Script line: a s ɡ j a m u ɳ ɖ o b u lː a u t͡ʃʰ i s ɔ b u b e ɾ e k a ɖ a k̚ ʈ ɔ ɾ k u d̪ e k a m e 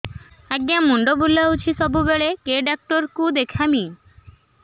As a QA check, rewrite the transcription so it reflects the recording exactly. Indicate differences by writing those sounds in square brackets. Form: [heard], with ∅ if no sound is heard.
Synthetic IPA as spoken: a [∅] ɡ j a m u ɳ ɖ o b u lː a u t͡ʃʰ i s ɔ b u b e [ɭ] e k [e] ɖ a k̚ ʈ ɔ ɾ k u d̪ e [kʰ] a m [i]